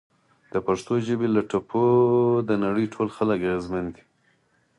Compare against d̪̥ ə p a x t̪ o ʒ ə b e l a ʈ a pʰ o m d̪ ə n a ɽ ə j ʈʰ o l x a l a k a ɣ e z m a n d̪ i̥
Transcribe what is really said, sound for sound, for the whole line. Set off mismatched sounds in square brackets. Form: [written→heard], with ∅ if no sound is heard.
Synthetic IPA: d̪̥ ə p a [x→ʂ] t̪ o ʒ ə b e l a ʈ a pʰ o [m→∅] d̪ ə n a ɽ ə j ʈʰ o l x a l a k a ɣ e z m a n d̪ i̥